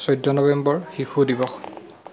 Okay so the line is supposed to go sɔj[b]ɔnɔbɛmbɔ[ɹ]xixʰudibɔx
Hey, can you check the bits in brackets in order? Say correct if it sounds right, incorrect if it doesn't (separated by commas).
incorrect, correct